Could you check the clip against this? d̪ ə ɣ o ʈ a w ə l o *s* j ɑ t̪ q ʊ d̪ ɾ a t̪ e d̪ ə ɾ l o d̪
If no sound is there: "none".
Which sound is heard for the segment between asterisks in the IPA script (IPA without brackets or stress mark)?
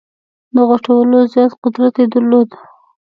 z